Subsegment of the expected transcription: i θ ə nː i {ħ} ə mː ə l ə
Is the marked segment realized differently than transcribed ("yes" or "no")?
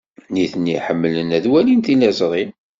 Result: no